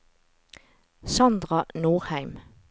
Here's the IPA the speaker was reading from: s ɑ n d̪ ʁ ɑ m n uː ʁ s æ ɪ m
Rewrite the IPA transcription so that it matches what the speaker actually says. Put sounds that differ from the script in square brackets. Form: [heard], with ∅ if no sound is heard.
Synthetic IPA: s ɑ n d̪ ʁ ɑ [∅] n uː ʁ [h] æ ɪ m

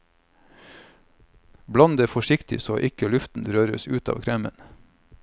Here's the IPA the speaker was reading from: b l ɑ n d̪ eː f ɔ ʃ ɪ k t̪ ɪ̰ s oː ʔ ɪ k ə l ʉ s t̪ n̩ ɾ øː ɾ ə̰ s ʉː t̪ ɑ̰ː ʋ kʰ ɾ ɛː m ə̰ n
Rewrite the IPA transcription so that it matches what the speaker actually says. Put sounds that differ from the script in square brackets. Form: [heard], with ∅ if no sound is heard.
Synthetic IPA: b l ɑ n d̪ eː f ɔ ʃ ɪ k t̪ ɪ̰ s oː ʔ ɪ k ə l ʉ [f] t̪ n̩ ɾ øː ɾ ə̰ s ʉː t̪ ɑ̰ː ʋ kʰ ɾ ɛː m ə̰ n

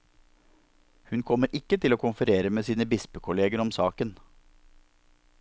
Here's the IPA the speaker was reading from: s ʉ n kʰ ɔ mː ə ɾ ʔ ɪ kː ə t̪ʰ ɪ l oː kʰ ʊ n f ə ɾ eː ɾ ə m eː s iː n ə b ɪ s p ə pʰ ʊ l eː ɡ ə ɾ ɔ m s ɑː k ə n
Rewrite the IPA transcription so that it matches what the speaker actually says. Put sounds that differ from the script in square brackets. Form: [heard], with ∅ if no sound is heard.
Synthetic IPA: [h] ʉ n kʰ ɔ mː ə ɾ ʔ ɪ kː ə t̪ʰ ɪ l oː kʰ ʊ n f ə ɾ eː ɾ ə m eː s iː n ə b ɪ s p ə [kʰ] ʊ l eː ɡ ə ɾ ɔ m s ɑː k ə n

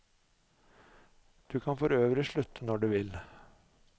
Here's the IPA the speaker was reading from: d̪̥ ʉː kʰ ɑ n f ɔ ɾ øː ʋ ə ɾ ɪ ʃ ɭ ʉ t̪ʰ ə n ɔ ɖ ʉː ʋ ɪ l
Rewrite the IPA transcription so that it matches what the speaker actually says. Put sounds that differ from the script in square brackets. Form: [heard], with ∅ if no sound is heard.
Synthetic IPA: d̪̥ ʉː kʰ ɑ n f ɔ ɾ øː ʋ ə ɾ ɪ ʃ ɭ ʉ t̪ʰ ə n ɔ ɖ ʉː ʋ ɪ l

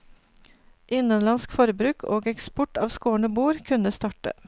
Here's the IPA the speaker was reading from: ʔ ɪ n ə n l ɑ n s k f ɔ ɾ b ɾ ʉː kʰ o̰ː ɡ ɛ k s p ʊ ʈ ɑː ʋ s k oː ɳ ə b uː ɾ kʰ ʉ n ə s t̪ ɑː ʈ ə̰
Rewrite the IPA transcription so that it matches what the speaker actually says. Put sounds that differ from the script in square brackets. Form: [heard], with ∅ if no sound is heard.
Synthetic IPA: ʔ ɪ n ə n l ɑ n s k f ɔ ɾ b ɾ ʉː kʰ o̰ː ɡ ɛ k s p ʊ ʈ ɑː ʋ s k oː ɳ ə b uː ɾ kʰ ʉ n ə s t̪ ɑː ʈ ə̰

